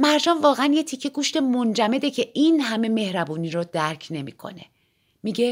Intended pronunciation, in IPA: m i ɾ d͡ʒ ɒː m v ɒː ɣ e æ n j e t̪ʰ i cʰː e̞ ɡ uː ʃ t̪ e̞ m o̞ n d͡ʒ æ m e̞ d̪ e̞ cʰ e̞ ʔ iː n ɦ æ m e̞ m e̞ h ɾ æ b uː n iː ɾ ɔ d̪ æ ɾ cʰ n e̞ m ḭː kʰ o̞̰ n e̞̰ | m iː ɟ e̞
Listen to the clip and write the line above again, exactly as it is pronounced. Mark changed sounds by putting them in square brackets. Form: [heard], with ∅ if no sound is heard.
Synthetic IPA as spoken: m [æ] ɾ d͡ʒ ɒː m v ɒː ɣ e æ n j e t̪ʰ i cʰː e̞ ɡ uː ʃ t̪ e̞ m o̞ n d͡ʒ æ m e̞ d̪ e̞ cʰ e̞ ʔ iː n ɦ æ m e̞ m e̞ h ɾ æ b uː n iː ɾ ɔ d̪ æ ɾ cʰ n e̞ m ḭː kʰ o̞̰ n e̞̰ | m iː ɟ e̞